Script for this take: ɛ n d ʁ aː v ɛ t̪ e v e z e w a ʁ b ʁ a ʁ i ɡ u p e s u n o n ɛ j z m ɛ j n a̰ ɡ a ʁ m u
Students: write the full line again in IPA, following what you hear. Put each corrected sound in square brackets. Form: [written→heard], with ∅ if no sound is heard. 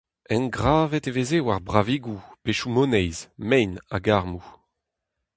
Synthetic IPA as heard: ɛ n [d→ɡ] ʁ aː v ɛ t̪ e v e z e w a ʁ b ʁ a [ʁ→v] i ɡ u p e [s→ʃ] u [n→m] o n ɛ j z m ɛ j n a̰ ɡ a ʁ m u